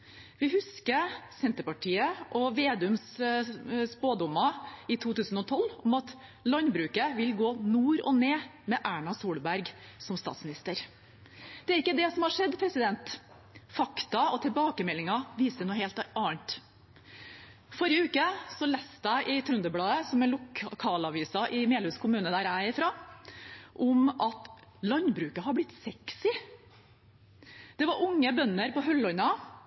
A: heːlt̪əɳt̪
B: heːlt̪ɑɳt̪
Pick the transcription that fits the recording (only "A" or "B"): B